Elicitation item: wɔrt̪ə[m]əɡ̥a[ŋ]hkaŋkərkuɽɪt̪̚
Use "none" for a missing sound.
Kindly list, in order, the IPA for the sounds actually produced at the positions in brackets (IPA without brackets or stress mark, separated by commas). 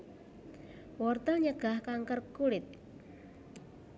ɲ, none